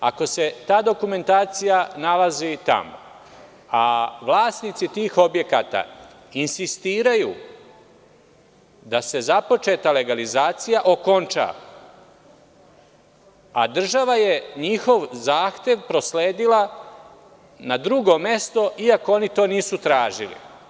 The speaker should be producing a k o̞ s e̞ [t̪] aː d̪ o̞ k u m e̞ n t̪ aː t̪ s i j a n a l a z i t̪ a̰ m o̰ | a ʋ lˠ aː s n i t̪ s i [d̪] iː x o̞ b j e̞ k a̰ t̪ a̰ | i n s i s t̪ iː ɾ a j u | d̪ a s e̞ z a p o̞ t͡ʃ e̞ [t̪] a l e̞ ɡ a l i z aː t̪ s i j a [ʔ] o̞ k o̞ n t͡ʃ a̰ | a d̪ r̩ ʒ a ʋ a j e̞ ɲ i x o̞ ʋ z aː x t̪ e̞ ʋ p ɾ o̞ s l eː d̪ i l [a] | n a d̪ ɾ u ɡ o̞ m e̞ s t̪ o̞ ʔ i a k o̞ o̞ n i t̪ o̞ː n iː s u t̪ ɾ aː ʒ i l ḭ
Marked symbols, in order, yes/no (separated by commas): yes, no, yes, yes, yes